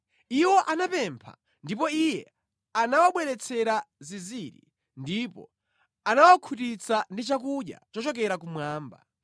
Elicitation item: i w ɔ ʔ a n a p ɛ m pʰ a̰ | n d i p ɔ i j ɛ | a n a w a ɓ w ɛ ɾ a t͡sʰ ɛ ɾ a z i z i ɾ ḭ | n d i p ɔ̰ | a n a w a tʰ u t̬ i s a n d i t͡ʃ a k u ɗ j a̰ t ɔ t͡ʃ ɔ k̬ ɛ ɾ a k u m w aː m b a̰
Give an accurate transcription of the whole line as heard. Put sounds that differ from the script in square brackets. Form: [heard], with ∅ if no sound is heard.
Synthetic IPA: i w ɔ ʔ a n a p ɛ m pʰ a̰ | n d i p ɔ i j ɛ | a n a w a ɓ w ɛ ɾ [ɛ] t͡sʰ ɛ ɾ a z i z i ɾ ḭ | n d i p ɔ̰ | a n a w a [kʰ] u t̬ i [t͡s] a n d i t͡ʃ a k u ɗ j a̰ [t͡ʃ] ɔ t͡ʃ ɔ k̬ ɛ ɾ a k u m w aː m b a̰